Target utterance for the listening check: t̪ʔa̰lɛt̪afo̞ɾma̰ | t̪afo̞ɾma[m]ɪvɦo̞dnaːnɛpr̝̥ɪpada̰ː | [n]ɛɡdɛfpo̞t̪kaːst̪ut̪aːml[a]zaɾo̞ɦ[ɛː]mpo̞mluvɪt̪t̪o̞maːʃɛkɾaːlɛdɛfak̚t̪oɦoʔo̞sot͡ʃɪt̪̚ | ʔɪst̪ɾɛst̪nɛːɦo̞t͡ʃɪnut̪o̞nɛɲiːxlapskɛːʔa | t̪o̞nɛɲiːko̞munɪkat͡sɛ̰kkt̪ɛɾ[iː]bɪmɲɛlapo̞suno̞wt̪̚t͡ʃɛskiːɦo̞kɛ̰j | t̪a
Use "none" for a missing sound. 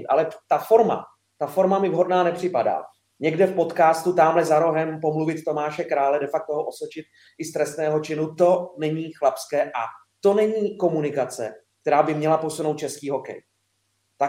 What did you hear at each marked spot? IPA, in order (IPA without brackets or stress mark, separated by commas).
m, ɲ, ɛ, ɛ, aː